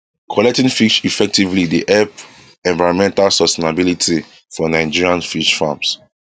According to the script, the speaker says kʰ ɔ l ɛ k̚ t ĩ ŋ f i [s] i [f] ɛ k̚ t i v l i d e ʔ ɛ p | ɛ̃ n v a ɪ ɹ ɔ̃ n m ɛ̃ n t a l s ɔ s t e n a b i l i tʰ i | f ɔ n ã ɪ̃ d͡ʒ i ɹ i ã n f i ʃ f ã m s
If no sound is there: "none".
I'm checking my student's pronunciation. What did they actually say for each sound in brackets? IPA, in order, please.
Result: ʃ, f

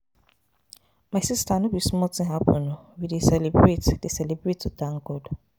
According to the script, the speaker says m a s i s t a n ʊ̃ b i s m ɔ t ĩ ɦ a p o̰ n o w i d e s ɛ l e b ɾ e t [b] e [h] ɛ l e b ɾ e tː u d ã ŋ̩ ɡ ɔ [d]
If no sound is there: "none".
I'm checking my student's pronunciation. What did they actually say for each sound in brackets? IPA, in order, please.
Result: d, s, d

